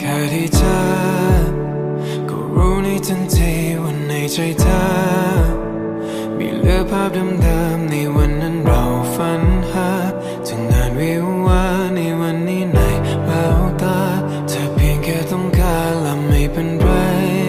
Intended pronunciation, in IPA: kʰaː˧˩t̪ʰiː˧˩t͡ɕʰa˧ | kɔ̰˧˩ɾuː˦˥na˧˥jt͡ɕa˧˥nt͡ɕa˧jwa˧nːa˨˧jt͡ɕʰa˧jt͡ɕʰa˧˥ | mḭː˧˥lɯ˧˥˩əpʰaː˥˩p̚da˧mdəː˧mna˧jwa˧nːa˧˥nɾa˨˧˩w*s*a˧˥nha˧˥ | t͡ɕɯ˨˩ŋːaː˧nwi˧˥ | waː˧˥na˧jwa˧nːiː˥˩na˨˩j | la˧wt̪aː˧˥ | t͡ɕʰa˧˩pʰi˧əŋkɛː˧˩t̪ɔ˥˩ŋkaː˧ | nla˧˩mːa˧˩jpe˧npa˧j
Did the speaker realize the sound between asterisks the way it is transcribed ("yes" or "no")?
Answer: no